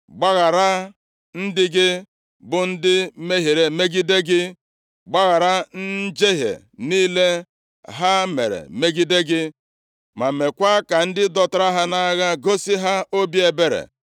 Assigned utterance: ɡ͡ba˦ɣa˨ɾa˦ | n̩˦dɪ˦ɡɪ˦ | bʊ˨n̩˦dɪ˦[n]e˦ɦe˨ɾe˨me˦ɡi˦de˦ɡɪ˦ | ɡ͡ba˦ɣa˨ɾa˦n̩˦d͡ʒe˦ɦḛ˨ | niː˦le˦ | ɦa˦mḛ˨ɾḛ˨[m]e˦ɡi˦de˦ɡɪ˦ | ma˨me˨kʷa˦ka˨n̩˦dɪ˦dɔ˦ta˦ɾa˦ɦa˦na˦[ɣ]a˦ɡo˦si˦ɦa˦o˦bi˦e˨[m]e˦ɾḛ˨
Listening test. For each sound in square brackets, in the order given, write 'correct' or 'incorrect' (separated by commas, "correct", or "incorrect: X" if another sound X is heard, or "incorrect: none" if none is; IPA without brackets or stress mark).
incorrect: m, correct, correct, incorrect: b